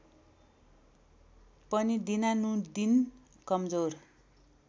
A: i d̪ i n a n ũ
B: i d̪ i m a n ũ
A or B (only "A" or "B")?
A